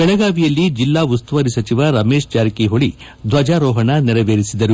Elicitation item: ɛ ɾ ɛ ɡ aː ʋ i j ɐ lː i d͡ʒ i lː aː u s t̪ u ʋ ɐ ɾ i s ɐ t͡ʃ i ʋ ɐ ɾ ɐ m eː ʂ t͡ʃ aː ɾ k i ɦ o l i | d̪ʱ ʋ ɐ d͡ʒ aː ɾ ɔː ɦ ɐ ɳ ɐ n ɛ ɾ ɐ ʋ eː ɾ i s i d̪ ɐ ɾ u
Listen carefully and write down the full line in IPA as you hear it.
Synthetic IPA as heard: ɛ ɭ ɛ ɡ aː ʋ i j ɐ lː i d͡ʒ i lː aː u s t̪ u ʋ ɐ ɾ i s ɐ t͡ʃ i ʋ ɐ ɾ ɐ m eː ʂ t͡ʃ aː ɾ k i ɦ o ɭ i | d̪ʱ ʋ ɐ d͡ʒ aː ɾ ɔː ɦ ɐ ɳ ɐ n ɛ ɾ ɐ ʋ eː ɾ i s i d̪ ɐ ɾ u